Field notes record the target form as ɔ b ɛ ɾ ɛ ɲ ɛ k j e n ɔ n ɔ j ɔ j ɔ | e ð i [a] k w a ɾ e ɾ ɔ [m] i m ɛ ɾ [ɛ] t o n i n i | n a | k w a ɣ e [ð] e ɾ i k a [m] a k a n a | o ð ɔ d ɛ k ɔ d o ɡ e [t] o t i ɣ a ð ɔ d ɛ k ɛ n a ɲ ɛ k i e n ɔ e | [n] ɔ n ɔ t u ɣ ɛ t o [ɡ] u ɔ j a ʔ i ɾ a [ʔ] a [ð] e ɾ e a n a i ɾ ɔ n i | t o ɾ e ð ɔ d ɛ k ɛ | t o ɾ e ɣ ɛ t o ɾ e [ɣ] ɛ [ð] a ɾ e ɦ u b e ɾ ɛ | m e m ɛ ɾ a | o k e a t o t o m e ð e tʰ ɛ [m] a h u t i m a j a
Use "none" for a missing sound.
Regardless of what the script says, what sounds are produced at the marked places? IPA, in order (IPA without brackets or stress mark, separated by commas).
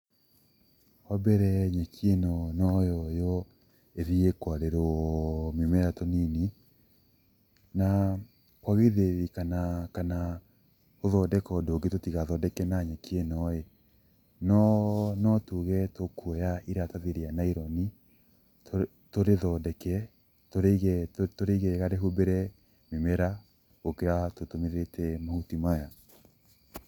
e, m, a, ð, n, t, n, k, t, ð, ɣ, ɣ, m